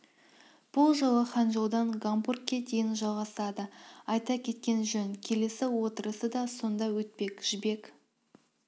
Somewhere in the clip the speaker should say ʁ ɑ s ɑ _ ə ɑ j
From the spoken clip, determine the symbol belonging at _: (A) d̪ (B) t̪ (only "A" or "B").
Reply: A